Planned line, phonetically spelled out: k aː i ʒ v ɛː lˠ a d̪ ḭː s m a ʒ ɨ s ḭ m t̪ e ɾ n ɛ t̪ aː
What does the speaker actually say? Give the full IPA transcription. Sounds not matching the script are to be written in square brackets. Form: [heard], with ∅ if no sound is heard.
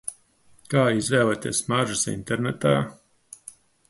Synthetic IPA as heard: k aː i [z] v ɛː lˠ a [t̪] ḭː s m a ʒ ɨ s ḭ [n] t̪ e ɾ n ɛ t̪ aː